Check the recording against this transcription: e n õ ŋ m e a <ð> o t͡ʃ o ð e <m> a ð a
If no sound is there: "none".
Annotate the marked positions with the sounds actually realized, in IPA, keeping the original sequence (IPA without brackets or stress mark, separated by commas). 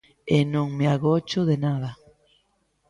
ɣ, n